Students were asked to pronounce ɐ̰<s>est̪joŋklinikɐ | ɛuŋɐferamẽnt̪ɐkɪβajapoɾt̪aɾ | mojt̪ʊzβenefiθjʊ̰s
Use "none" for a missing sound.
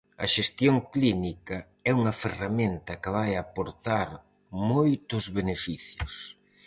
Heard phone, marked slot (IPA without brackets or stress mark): ʃ